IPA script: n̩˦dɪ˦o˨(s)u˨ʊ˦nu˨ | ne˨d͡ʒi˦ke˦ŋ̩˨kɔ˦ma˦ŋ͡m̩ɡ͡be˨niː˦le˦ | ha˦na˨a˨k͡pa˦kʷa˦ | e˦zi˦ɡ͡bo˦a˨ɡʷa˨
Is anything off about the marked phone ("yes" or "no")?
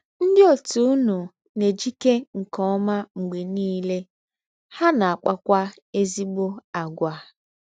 yes